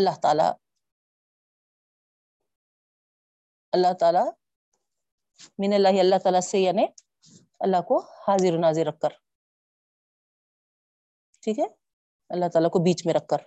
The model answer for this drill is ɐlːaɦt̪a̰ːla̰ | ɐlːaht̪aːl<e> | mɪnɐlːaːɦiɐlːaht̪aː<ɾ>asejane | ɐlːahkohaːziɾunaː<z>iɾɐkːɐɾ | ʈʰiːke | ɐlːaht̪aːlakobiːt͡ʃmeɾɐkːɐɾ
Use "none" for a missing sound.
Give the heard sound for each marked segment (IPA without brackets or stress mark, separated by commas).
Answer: a, l, z